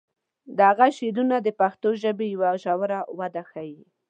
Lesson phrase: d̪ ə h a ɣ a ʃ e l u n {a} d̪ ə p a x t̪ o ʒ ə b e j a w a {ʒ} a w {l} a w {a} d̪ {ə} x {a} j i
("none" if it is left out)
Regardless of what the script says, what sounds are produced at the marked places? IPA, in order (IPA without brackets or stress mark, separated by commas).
a, ʒ, ɾ, a, a, a